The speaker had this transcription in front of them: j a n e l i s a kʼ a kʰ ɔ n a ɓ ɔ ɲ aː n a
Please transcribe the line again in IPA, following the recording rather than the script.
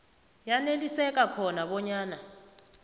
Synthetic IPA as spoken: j a n e l i s ɛ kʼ a kʰ ɔ n a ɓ ɔ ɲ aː n a

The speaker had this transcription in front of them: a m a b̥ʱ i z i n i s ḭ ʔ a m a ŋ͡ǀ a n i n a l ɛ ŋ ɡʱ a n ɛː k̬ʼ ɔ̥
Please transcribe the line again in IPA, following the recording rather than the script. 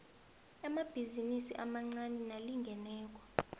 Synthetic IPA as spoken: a m a b̥ʱ i z i n i s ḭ ʔ a m a ŋ͡ǀ a n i n a l i ŋ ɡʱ ɛ n ɛː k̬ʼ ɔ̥

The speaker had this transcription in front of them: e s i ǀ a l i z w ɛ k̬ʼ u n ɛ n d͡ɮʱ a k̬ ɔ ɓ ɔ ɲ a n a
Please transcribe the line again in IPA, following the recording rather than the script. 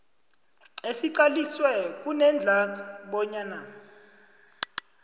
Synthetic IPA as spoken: e s i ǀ a l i s w ɛ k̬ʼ u n ɛ n d͡ɮʱ a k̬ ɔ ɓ ɔ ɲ a n a

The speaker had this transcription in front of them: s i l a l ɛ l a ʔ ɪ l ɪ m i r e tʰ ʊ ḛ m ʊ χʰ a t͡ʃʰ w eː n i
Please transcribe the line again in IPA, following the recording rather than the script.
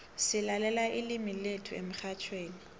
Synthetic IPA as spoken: s ɪ l a l ɛ l a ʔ ɪ l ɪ m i l e tʰ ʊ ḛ m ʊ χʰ a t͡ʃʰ w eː n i

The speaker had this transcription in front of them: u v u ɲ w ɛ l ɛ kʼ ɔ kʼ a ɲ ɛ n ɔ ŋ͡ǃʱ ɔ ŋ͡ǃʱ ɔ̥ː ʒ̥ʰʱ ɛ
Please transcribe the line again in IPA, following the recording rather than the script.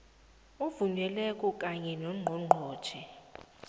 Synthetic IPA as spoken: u v u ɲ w ɛ l ɛ kʼ ɔ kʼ a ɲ ɛ n ɔ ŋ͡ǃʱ ɔ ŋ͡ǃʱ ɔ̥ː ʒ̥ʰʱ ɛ

